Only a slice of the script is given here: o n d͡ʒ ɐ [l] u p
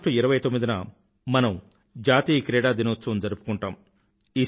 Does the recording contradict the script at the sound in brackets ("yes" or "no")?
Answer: yes